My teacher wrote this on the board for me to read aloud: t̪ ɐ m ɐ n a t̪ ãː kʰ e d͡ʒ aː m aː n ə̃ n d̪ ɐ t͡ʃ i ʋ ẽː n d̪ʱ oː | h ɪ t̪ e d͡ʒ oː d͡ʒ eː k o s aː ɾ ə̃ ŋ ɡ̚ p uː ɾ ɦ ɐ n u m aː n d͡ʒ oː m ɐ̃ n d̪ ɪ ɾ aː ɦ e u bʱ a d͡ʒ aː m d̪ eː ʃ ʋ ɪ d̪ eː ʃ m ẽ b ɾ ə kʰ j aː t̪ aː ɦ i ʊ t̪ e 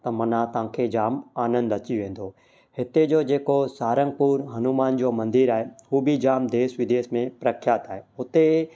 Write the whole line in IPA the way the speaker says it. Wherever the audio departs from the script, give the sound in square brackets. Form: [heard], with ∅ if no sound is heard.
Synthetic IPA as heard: t̪ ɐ m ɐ n a t̪ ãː kʰ e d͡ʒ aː m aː n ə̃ n d̪ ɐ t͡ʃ i ʋ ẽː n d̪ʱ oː | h ɪ t̪ e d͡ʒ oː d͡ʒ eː k o s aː ɾ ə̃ ŋ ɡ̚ p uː ɾ ɦ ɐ n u m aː n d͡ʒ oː m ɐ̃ n d̪ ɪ ɾ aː ɦ e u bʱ [i] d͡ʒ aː m d̪ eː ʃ ʋ ɪ d̪ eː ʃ m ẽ [p] ɾ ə kʰ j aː t̪ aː ɦ [e] ʊ t̪ e